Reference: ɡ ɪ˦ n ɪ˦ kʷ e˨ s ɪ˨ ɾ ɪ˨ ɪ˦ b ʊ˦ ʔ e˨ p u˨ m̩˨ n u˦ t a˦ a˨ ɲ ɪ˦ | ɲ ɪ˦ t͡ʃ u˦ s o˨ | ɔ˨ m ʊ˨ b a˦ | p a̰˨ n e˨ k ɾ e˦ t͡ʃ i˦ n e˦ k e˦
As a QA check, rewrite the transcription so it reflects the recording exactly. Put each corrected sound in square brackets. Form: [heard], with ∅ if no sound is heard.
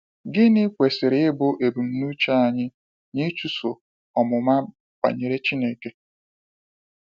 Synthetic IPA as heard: ɡ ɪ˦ n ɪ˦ kʷ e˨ s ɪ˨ ɾ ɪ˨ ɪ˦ b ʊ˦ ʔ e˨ [b] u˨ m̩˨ n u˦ [t͡ʃ] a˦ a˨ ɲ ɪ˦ | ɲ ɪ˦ t͡ʃ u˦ s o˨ | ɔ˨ m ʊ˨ [m] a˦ | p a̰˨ [ɲ] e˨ [∅] ɾ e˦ t͡ʃ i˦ n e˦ k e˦